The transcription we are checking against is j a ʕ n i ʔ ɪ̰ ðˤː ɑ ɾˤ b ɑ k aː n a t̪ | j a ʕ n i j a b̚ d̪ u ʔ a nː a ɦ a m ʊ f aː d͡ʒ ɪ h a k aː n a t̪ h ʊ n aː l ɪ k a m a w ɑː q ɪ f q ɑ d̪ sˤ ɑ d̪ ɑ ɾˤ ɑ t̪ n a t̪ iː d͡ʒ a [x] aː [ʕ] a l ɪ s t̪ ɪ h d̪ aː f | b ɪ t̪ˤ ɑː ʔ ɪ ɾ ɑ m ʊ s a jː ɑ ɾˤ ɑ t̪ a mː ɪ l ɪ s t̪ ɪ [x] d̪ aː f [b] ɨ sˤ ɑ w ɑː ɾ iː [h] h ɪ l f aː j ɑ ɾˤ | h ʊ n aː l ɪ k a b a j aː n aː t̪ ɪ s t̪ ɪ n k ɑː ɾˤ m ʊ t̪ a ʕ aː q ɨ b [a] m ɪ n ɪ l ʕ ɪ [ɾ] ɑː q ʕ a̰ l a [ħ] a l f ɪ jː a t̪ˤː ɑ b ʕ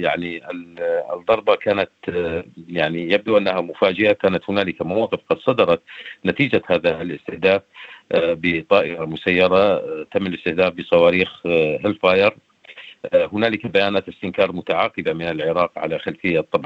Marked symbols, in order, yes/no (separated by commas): no, no, no, yes, no, yes, yes, no